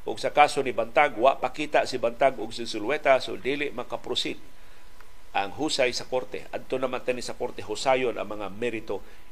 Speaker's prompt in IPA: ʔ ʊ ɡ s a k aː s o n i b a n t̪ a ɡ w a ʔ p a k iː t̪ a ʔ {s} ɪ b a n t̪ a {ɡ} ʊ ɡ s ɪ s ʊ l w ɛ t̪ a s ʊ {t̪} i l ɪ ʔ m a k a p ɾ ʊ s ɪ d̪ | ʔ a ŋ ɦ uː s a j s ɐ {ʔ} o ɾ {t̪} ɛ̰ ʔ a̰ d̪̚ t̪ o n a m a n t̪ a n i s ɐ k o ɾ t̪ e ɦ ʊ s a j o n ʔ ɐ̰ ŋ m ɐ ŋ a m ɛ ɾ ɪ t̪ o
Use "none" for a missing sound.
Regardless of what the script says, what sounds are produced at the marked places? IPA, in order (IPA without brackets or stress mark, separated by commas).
s, ɡ, d̪, k, t̪